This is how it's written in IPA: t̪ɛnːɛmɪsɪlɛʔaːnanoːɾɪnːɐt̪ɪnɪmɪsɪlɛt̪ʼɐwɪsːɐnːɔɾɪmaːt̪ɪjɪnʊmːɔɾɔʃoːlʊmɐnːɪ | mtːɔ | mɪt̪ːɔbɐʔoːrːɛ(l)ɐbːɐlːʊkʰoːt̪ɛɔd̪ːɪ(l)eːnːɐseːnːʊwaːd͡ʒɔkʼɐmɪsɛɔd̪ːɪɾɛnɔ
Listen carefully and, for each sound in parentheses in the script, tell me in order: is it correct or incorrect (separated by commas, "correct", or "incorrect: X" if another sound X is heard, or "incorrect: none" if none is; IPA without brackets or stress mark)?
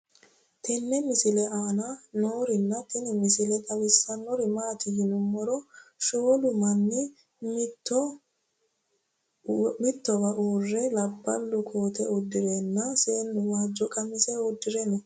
correct, incorrect: ɾ